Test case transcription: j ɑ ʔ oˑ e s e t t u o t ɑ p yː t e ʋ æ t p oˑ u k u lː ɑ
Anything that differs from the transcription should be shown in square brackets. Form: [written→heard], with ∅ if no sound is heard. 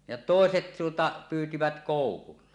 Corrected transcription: j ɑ [ʔ→t] oˑ e s e t t u o t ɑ p yː t [e→i] ʋ æ t [p→k] oˑ u k u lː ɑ